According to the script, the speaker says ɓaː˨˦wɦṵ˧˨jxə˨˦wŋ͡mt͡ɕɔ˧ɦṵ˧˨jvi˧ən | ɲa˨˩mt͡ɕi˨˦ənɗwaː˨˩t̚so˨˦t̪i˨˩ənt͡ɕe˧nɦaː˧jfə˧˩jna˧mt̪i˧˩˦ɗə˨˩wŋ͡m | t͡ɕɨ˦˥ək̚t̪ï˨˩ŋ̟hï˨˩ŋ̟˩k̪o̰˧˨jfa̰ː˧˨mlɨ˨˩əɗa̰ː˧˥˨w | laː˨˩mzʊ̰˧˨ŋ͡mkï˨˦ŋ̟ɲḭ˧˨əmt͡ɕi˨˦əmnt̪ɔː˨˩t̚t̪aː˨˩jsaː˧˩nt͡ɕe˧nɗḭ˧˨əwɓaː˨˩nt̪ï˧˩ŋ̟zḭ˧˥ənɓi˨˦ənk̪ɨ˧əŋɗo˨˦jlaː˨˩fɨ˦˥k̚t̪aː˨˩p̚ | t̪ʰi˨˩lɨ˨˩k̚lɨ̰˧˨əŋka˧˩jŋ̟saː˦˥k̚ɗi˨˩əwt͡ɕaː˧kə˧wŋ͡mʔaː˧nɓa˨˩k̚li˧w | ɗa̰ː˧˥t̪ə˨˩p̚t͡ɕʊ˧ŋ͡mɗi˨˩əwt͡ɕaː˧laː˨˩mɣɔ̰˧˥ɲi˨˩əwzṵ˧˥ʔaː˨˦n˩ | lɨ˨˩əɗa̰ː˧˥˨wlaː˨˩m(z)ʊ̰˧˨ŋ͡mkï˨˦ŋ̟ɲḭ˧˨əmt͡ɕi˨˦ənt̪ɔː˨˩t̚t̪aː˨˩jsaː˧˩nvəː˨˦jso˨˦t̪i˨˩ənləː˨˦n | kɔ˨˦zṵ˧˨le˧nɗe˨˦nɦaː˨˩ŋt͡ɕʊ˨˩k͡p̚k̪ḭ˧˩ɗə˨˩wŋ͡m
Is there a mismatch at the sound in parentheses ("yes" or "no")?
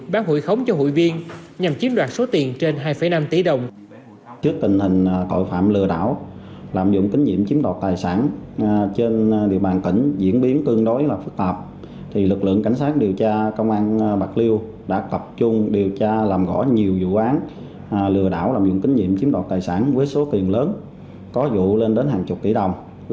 no